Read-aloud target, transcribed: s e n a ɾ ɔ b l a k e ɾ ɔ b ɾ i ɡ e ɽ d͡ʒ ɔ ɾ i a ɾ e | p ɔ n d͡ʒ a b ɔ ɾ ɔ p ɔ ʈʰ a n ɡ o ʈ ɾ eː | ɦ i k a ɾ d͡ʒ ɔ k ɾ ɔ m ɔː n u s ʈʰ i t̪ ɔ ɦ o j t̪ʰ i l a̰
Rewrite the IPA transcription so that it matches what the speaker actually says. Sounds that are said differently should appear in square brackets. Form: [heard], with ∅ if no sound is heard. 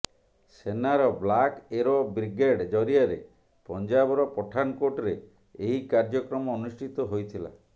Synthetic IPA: s e n a ɾ ɔ b l a k e ɾ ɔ b ɾ i ɡ e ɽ d͡ʒ ɔ ɾ i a ɾ e | p ɔ n d͡ʒ a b ɔ ɾ ɔ p ɔ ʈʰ a n [k] o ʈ ɾ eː | ɦ i k a ɾ d͡ʒ ɔ k ɾ ɔ m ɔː n u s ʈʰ i t̪ ɔ ɦ o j t̪ʰ i l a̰